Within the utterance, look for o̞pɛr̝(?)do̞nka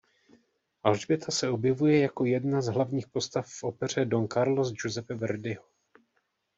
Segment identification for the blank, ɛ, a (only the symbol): ɛ